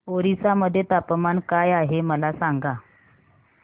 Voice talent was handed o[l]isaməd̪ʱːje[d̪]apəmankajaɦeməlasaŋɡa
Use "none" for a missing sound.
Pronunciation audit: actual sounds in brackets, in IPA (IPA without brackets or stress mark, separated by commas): ɾ, t̪